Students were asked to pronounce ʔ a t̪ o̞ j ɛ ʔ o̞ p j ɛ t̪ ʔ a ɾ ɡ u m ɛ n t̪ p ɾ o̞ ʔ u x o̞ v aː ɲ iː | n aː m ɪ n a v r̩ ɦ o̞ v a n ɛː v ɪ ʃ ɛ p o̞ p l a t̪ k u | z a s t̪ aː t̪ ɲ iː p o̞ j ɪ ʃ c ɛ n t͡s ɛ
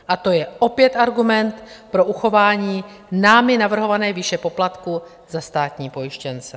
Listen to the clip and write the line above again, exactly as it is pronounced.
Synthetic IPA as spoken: ʔ a t̪ o̞ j ɛ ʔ o̞ p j ɛ t̪ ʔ a ɾ ɡ u m ɛ n t̪ p ɾ o̞ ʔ u x o̞ v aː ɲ iː | n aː m ɪ n a v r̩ ɦ o̞ v a n ɛː v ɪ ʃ ɛ p o̞ p l a t̪ k u | z a s t̪ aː t̪ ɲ iː p o̞ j ɪ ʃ c ɛ n t͡s ɛ